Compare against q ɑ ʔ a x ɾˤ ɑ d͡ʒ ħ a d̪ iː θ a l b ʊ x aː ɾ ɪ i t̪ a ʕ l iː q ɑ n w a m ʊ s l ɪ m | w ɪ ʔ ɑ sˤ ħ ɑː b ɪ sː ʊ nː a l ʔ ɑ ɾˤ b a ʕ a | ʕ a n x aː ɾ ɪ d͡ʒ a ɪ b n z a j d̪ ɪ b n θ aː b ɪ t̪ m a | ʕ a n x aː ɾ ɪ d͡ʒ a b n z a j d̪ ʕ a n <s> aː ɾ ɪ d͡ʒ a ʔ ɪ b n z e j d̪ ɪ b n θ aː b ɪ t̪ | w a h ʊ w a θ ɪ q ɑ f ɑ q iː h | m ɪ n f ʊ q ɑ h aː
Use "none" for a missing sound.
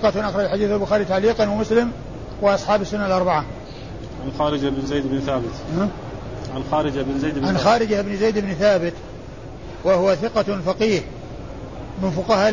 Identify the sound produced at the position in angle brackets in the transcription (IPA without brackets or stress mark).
x